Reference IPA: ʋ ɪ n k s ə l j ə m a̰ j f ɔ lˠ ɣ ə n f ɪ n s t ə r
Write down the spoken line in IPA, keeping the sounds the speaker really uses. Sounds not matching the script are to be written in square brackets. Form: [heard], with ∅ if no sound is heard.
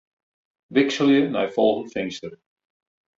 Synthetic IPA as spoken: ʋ ɪ [∅] k s ə l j ə [n] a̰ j f ɔ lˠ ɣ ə n f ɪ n s t ə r